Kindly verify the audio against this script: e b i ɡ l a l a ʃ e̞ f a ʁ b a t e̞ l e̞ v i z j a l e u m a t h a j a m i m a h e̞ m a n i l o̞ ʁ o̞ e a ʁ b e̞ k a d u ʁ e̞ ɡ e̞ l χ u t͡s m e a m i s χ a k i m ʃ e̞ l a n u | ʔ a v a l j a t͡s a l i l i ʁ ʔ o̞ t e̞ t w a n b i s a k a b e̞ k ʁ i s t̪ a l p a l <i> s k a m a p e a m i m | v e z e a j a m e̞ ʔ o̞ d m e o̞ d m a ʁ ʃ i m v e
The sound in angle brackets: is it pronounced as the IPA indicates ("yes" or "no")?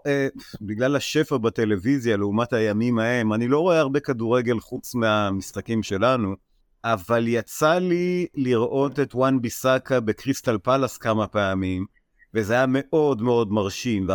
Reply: no